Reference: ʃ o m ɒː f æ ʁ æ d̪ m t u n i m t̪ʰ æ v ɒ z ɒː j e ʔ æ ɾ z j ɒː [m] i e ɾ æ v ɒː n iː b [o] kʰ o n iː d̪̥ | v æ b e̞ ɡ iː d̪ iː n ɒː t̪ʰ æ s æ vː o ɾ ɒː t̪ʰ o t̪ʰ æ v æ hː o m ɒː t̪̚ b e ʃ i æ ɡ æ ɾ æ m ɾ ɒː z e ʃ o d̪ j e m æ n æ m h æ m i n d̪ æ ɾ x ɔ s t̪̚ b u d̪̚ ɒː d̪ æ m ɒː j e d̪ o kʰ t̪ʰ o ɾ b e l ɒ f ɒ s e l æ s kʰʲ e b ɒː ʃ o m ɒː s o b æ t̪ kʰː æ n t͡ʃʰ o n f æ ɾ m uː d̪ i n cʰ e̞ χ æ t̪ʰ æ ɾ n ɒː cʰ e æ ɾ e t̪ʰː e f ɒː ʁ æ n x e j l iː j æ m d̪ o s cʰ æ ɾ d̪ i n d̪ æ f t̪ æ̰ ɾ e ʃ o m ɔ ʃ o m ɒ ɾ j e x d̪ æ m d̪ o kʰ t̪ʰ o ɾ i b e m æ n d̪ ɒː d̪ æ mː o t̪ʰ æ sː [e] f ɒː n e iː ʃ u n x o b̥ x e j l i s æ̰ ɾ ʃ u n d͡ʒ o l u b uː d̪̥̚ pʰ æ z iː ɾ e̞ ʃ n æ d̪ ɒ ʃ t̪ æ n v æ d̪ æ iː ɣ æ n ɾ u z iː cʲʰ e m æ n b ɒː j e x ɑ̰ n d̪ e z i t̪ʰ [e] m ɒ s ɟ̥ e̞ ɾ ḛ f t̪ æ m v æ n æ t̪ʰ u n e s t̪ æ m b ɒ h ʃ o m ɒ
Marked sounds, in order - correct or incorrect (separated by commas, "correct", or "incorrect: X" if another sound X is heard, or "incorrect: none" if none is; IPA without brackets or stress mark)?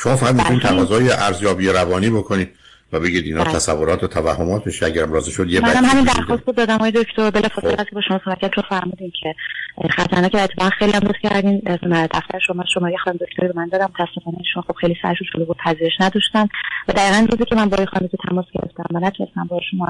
incorrect: b, correct, correct, incorrect: æ